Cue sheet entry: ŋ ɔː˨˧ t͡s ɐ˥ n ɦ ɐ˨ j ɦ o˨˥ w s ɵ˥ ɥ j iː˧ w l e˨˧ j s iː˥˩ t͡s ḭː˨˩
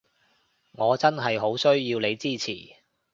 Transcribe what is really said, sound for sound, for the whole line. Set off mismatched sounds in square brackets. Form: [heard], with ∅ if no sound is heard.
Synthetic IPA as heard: ŋ ɔː˨˧ t͡s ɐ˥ n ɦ ɐ˨ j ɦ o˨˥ w s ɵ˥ ɥ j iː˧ w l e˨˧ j [t͡s] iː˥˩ [t͡sʰ] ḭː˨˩